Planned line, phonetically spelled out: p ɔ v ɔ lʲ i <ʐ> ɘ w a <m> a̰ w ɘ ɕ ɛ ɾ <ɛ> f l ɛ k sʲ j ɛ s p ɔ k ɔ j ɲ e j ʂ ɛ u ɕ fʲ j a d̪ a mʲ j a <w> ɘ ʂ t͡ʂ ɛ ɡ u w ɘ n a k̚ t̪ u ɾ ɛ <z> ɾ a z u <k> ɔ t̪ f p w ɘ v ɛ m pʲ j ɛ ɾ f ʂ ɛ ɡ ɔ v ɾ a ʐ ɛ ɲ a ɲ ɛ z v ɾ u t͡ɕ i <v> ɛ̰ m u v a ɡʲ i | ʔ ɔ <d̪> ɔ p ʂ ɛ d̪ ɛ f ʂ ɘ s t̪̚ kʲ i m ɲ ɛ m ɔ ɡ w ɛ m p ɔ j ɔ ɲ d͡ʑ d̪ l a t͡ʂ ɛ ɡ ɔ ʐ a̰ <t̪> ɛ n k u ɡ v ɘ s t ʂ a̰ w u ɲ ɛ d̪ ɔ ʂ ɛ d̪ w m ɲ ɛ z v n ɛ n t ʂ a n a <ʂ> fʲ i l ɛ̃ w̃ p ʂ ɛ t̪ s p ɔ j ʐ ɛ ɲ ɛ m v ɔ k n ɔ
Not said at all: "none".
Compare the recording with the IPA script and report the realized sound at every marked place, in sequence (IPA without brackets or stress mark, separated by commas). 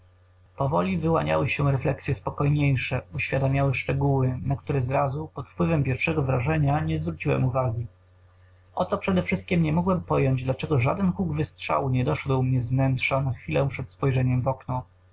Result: v, ɲ, ɛ, w, z, p, w, t̪, d̪, x